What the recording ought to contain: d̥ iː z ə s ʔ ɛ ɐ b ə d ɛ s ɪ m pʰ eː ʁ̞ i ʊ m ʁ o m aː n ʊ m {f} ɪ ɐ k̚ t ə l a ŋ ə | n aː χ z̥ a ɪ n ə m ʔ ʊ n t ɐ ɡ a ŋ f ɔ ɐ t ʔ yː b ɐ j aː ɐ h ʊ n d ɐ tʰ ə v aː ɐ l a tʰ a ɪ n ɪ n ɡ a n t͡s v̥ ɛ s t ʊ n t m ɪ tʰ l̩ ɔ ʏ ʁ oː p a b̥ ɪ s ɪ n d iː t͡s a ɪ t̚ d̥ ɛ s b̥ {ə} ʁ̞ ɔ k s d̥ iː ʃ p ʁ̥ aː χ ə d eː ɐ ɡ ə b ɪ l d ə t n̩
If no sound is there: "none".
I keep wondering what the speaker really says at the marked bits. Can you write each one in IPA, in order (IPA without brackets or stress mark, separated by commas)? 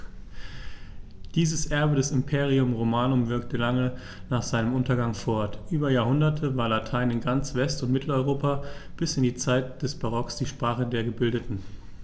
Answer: v, a